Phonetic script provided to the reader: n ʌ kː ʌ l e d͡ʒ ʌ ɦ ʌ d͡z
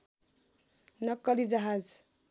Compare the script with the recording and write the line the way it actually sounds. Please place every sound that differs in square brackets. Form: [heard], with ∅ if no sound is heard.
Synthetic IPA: n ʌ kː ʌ l [i] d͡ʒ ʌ ɦ [a] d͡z